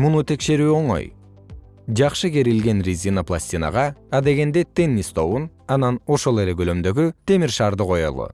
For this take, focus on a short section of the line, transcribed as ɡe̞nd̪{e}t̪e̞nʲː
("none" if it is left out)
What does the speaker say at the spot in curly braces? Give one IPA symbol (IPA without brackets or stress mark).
e